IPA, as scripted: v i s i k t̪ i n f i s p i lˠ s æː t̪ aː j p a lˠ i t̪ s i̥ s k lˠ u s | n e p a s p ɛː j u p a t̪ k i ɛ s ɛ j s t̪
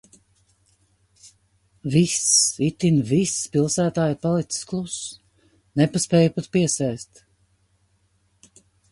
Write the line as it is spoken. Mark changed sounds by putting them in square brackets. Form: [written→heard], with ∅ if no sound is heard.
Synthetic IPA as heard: v i s i [k→∅] t̪ i n [f→v] i s p i lˠ s æː t̪ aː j p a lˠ i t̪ s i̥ s k lˠ u s | n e p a s p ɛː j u p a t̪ [k→p] i ɛ s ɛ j s t̪